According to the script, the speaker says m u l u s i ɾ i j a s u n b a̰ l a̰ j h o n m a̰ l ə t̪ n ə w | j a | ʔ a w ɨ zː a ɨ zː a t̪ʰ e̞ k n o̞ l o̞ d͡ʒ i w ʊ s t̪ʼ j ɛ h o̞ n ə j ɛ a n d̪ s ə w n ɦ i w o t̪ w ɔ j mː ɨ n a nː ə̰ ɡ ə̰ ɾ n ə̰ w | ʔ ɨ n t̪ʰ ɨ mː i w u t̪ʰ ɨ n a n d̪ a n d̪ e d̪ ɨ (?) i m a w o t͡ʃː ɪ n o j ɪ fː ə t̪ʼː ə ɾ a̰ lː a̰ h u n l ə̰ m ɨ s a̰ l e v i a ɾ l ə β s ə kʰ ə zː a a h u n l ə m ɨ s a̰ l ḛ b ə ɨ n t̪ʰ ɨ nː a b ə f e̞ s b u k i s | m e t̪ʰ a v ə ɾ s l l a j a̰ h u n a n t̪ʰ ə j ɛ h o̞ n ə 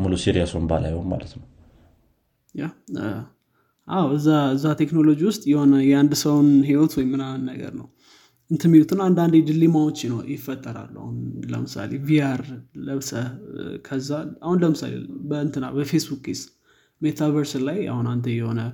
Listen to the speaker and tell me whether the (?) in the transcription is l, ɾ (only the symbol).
l